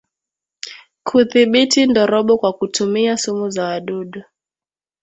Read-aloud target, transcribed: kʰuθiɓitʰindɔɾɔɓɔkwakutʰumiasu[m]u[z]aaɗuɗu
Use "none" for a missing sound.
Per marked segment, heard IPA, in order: m, z

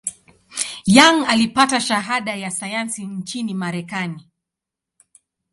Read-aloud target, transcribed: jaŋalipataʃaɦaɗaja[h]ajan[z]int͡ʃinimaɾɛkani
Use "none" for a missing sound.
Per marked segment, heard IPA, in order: s, s

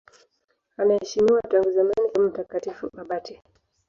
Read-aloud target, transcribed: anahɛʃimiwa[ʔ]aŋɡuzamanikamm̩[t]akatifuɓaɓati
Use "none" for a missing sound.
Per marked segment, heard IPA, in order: t, t

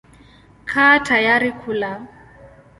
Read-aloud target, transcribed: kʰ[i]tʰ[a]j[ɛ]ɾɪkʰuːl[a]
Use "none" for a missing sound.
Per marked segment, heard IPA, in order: a, a, a, a

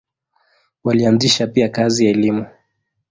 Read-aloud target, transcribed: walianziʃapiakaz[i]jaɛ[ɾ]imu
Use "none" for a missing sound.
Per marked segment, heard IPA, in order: i, l

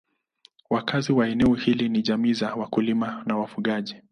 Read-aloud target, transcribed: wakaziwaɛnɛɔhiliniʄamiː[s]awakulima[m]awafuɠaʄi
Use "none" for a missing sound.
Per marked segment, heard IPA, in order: z, n

